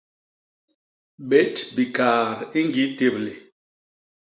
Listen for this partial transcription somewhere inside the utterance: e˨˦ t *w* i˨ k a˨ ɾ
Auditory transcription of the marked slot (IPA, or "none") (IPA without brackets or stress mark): b